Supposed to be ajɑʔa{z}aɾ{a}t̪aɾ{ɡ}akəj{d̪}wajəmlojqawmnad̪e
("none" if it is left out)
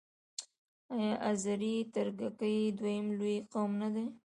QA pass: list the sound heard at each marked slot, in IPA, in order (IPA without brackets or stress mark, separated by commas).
z, i, ɡ, d̪